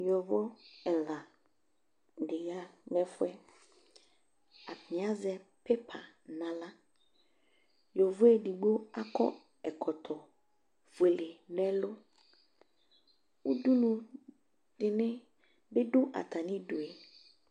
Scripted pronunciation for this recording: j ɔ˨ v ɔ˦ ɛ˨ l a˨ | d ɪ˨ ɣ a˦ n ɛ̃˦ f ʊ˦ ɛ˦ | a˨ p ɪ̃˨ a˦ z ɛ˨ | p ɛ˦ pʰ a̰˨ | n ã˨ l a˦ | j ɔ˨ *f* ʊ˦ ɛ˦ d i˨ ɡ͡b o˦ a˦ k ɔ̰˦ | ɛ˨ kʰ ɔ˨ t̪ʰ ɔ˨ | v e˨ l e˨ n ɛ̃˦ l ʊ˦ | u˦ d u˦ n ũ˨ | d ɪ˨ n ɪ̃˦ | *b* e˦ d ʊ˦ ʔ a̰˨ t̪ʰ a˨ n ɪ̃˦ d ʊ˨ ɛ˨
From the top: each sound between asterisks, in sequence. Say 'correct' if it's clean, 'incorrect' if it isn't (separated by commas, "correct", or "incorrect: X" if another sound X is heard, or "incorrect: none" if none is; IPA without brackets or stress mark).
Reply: incorrect: v, correct